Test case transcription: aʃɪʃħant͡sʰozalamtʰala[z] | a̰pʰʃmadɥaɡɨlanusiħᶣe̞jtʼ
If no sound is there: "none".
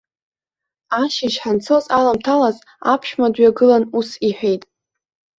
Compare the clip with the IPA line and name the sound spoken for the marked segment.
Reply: z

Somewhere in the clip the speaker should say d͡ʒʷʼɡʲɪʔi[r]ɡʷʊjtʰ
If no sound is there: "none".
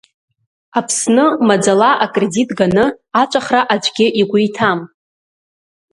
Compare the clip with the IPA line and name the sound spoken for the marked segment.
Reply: none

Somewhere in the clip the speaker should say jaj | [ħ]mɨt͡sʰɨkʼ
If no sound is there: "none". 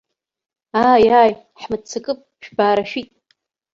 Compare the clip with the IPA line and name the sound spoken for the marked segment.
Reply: ħ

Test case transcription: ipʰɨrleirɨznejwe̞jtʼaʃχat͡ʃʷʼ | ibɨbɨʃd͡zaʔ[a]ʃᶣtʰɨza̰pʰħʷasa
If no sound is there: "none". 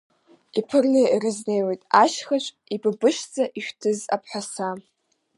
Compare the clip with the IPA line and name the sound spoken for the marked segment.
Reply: i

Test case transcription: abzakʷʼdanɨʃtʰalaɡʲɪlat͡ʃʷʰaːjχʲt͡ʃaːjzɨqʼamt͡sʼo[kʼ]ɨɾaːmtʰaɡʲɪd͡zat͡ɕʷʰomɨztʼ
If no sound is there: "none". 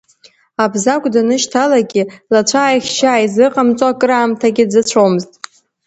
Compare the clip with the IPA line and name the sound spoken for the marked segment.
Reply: kʼ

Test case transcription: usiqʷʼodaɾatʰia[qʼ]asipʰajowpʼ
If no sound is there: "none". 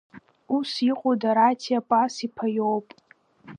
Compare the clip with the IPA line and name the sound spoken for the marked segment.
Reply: pʼ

